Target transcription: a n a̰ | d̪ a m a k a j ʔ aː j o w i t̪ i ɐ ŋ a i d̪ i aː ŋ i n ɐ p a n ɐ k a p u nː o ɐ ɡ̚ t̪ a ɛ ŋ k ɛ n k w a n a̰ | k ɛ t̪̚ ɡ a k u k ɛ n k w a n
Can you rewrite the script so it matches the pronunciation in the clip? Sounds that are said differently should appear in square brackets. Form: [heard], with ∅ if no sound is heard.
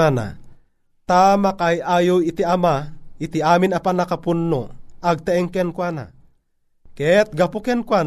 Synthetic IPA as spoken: a n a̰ | [t̪] a m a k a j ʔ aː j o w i t̪ i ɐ [m] a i [t̪] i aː [m] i n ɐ p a n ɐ k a p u nː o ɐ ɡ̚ t̪ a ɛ ŋ k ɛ n k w a n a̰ | k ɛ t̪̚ ɡ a [p] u k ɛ n k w a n